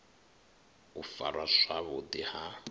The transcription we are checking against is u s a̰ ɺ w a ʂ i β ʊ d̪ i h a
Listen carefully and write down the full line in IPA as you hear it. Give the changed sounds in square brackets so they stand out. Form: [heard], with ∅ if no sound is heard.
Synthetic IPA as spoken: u [f] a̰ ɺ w a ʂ [a] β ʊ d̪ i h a